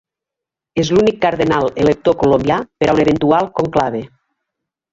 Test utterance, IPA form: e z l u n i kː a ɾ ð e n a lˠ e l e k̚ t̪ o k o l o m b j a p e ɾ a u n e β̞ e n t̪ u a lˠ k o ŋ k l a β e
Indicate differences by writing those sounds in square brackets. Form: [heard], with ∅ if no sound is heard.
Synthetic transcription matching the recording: e z l u n i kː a ɾ ð e n a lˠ e l e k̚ t̪ o k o l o m b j a p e ɾ a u n e β̞ e n t̪ u a lˠ k o ŋ k l a β e